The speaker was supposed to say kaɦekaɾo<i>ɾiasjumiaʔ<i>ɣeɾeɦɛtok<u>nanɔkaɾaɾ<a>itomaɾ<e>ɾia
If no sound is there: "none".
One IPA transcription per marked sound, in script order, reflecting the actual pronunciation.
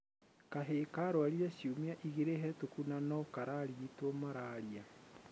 a, i, u, i, a

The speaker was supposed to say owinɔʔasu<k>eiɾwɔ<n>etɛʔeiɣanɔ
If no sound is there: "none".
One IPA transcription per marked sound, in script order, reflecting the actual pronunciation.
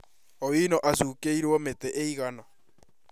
k, m

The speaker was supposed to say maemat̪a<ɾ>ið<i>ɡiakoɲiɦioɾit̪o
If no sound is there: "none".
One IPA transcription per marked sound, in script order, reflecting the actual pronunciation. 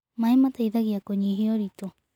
none, a

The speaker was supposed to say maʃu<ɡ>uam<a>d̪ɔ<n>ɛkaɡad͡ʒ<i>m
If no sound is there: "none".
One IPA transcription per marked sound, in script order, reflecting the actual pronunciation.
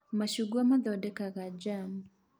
ɡ, a, d, a

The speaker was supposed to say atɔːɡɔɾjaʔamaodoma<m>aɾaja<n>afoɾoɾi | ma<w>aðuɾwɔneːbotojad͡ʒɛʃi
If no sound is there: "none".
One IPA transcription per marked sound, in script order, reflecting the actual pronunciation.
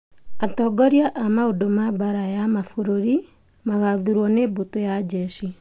b, m, ɣ

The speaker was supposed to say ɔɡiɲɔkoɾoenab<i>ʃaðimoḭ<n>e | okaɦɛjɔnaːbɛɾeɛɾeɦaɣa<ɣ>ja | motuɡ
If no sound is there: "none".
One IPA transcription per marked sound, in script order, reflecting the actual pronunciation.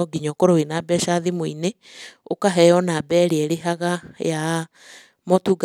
ɛ, n, none

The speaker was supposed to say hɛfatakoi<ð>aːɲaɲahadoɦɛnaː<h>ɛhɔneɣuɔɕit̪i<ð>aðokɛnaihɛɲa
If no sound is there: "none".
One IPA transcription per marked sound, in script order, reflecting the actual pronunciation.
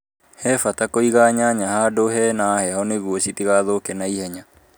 ɣ, h, ɣ

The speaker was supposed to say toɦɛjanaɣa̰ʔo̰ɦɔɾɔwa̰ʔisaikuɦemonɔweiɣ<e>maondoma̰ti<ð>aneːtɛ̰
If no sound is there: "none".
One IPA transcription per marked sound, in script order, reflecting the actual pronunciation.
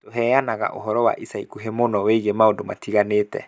e, ɣ

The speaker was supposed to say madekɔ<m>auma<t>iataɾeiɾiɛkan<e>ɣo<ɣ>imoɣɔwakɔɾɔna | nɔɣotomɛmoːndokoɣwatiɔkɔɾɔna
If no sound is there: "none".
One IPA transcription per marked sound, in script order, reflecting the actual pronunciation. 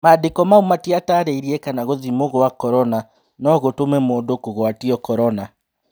m, t, a, ð

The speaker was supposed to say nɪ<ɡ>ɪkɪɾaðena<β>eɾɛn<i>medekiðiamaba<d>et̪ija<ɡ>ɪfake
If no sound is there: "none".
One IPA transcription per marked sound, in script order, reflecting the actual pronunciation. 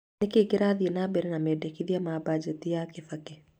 k, b, a, d͡ʒ, k

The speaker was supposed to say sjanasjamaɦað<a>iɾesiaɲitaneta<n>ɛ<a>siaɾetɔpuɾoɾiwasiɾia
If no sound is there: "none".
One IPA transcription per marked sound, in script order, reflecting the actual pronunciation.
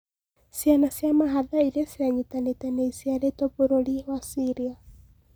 a, n, i

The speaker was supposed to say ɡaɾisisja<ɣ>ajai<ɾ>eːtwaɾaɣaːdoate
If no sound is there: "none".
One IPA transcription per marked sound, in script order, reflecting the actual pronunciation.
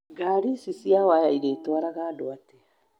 w, ɾ

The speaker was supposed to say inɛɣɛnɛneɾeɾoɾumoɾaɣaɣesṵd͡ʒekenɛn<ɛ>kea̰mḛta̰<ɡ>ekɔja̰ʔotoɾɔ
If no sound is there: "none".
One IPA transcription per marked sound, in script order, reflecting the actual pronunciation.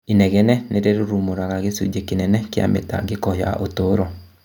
ɛ, ɡ

